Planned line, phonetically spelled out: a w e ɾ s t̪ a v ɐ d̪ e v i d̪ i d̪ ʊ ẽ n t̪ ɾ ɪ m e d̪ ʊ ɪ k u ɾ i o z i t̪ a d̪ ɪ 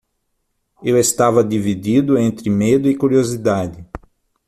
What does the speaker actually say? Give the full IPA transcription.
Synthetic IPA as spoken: e w e s t̪ a v ɐ d̪ i v i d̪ i d̪ ʊ ẽ n t̪ ɾ ɪ m e d̪ ʊ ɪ k u ɾ i o z i d̪ a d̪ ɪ